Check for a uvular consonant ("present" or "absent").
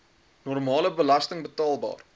absent